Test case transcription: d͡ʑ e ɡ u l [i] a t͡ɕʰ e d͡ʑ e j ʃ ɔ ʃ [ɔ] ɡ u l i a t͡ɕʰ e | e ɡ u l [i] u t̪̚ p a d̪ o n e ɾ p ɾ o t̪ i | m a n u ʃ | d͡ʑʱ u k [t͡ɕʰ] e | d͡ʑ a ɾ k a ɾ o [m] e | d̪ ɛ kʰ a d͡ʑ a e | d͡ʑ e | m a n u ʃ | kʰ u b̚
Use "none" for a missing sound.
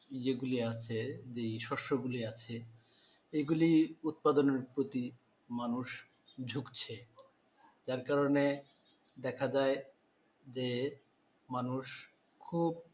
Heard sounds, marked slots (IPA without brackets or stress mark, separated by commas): i, o, i, t͡ɕʰ, n